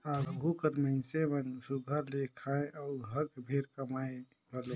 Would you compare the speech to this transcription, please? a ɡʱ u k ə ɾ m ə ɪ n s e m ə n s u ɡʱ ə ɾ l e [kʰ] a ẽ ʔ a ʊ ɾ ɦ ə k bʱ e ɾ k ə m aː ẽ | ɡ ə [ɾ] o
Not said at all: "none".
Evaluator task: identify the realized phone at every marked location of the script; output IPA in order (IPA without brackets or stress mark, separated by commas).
kʰ, l